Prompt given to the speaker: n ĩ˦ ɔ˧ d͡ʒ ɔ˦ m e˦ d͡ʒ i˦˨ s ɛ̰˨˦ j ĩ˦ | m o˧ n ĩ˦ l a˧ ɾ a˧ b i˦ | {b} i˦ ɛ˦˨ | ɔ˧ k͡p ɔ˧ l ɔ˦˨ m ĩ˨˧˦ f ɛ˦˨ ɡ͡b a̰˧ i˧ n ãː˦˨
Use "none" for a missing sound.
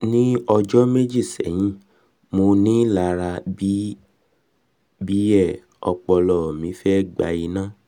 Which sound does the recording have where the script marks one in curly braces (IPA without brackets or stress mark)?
b